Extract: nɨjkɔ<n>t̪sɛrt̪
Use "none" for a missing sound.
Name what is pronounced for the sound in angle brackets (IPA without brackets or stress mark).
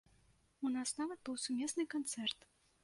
n